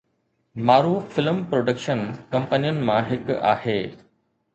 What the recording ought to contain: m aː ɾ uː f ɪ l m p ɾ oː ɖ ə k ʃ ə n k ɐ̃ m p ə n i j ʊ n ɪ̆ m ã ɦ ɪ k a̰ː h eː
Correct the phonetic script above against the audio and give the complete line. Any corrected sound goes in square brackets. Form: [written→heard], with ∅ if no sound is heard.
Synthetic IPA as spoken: m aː ɾ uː f ɪ l m p ɾ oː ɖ ə k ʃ ə n k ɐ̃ m p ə n i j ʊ n ɪ̆ m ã ɦ ɪ k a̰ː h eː